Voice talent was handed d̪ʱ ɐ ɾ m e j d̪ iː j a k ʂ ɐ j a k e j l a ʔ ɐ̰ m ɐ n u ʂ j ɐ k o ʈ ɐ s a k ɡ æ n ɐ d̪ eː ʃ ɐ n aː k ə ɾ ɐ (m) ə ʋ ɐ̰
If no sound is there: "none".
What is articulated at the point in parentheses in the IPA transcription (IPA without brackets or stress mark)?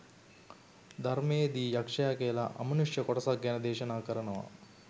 n